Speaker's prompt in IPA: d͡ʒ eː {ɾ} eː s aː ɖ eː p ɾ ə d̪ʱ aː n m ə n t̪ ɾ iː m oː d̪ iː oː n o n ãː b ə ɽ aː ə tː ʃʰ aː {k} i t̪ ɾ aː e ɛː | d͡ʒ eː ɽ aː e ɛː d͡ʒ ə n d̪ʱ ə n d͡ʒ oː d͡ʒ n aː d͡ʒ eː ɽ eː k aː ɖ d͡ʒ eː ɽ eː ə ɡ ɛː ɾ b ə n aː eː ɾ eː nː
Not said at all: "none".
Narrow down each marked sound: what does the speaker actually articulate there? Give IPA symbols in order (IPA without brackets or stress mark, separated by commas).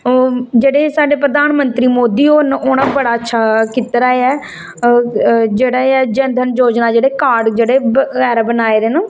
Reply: ɽ, k